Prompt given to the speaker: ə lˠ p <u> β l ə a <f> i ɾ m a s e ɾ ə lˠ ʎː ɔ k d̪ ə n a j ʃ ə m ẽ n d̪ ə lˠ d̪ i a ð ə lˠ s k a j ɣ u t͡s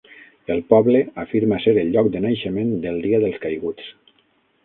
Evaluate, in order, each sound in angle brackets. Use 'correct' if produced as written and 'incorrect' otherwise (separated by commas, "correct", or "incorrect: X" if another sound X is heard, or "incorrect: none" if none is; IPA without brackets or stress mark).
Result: incorrect: ɔ, correct